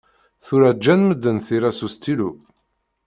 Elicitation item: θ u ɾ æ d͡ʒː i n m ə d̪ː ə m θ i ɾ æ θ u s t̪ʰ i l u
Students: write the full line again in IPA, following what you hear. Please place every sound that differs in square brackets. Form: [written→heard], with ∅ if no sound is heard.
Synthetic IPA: θ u ɾ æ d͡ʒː [i→æ] n m ə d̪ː ə [m→n] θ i ɾ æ [θ→s] u s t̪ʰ i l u